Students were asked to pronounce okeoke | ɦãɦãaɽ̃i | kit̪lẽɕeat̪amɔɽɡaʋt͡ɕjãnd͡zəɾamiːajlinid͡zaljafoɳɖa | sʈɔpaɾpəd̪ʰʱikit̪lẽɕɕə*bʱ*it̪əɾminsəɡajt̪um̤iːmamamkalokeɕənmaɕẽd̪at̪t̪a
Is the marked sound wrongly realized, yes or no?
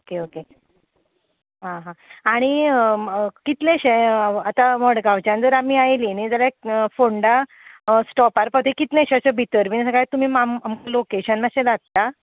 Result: no